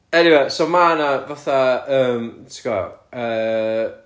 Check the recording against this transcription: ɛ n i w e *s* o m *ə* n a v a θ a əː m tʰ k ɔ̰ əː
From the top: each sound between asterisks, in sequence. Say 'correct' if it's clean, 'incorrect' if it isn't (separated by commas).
correct, incorrect